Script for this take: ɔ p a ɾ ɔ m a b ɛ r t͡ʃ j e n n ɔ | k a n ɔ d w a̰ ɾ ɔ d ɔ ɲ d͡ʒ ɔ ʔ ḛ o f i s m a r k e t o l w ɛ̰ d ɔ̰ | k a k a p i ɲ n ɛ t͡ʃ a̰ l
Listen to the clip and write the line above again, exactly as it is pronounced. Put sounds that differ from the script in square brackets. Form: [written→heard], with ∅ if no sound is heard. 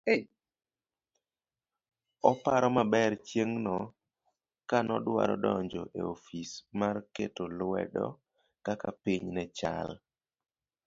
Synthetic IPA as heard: ɔ p a ɾ ɔ m a b ɛ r t͡ʃ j e [n→ŋ] n ɔ | k a n ɔ d w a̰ ɾ ɔ d ɔ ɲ d͡ʒ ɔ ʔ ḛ o f i s m a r k e t o l w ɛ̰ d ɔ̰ | k a k a p i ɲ n ɛ t͡ʃ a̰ l